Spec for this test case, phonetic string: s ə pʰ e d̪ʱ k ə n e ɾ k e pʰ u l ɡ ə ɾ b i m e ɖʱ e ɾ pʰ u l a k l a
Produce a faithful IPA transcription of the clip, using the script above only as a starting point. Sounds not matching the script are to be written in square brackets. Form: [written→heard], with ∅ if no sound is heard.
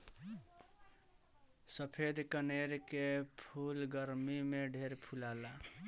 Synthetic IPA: s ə pʰ e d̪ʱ k ə n e ɾ k e pʰ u l ɡ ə ɾ [b→m] i m e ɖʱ e ɾ pʰ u l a [k→∅] l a